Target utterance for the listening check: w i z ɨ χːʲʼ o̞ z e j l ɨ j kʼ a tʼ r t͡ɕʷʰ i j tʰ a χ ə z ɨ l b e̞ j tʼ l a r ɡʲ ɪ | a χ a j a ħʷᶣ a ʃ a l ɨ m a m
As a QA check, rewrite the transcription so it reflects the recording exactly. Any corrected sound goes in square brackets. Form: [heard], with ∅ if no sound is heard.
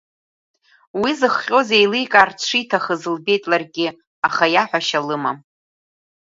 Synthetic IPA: w i z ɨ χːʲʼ o̞ z e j l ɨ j kʼ a [∅] r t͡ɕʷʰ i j tʰ a χ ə z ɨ l b e̞ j tʼ l a r ɡʲ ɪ | a χ a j a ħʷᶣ a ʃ a l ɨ m a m